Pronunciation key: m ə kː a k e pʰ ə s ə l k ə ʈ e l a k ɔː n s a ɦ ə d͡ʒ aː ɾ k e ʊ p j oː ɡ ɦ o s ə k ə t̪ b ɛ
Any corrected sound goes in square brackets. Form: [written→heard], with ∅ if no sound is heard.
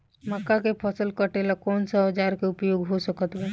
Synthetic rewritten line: m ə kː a k e pʰ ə s ə l k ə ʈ e l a k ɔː n s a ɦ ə d͡ʒ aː ɾ k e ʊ p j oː ɡ ɦ o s ə k ə t̪ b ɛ